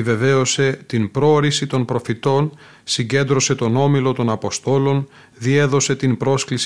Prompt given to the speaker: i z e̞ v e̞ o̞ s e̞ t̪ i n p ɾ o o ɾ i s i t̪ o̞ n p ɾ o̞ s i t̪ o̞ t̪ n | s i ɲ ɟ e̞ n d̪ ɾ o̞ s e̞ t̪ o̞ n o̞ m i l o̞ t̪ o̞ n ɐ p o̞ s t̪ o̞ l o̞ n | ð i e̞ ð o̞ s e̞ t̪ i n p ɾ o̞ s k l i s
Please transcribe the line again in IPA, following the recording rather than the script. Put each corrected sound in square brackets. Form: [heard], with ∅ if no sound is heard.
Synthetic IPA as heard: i [v] e̞ v e̞ o̞ s e̞ t̪ i n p ɾ o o ɾ i s i t̪ o̞ n p ɾ o̞ [f] i t̪ o̞ [∅] n | s i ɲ ɟ e̞ n d̪ ɾ o̞ s e̞ t̪ o̞ n o̞ m i l o̞ t̪ o̞ n ɐ p o̞ s t̪ o̞ l o̞ n | ð i e̞ ð o̞ s e̞ t̪ i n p ɾ o̞ s k l i s